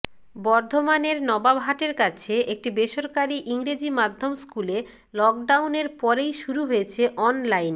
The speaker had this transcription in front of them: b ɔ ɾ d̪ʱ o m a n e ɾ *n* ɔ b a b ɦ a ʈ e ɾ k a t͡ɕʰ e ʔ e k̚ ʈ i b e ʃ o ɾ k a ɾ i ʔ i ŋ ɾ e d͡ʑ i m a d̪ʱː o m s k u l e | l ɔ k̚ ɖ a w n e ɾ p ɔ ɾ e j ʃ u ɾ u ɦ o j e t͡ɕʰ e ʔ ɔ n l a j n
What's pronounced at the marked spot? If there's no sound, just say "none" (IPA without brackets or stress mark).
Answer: n